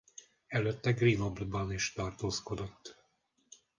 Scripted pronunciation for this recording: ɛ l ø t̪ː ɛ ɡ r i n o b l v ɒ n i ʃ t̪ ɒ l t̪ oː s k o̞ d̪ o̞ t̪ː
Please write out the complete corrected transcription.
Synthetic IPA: ɛ l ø t̪ː ɛ ɡ r i n o b l b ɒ n i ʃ t̪ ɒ r t̪ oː s k o̞ d̪ o̞ t̪ː